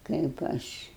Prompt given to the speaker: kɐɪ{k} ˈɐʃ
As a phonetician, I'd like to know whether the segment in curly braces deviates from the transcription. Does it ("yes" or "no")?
yes